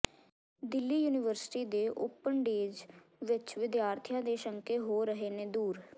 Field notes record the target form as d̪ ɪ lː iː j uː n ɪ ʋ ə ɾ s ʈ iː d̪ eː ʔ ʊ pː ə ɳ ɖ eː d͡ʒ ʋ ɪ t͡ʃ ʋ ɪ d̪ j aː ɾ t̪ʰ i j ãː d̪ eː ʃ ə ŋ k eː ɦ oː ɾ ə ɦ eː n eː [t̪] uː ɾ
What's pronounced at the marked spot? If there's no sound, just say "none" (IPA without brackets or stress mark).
d̪